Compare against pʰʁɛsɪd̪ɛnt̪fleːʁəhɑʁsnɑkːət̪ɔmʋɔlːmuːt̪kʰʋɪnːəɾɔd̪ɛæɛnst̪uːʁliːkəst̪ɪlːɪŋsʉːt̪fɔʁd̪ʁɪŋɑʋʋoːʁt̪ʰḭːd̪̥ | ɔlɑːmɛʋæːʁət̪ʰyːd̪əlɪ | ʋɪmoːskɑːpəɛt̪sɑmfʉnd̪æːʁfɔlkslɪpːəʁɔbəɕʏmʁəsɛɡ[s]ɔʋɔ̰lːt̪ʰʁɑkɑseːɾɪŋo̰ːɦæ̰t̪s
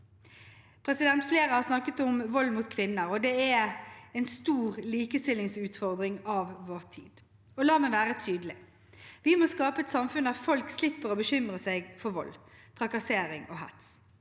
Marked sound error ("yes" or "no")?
yes